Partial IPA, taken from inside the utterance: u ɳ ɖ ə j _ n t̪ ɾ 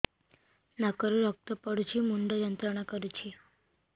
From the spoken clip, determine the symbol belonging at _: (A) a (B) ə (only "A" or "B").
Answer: B